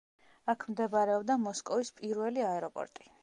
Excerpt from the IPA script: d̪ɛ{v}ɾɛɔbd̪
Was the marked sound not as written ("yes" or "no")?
yes